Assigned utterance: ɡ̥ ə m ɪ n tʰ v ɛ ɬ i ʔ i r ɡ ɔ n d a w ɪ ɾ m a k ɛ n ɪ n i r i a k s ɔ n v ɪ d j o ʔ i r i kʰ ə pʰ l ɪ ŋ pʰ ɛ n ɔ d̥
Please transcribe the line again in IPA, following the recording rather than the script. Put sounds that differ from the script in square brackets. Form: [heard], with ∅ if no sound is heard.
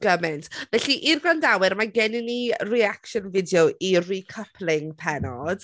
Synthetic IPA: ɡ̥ ə m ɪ n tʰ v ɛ ɬ i ʔ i r ɡ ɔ n d a w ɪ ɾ m a [ɡ] ɛ n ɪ n i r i a k [ʃ] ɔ n v ɪ d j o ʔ i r i kʰ ə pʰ l ɪ ŋ pʰ ɛ n ɔ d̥